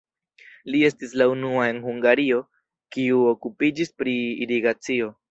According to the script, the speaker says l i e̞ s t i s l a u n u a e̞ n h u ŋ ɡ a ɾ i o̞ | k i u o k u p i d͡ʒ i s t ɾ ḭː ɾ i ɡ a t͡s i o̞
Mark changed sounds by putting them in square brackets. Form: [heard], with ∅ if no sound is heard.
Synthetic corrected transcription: l i e̞ s t i s l a u n u a e̞ n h u ŋ ɡ a ɾ i o̞ | k i u o k u p i d͡ʒ i s [p] ɾ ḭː ɾ i ɡ a t͡s i o̞